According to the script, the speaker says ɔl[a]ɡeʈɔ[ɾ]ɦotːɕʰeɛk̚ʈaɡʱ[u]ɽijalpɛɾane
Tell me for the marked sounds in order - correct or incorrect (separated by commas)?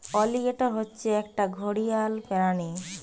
incorrect, correct, incorrect